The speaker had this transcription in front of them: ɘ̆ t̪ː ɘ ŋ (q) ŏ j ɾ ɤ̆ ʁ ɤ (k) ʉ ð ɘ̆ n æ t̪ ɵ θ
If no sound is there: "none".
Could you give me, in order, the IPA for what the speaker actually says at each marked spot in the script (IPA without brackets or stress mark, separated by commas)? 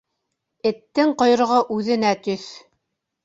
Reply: q, ʔ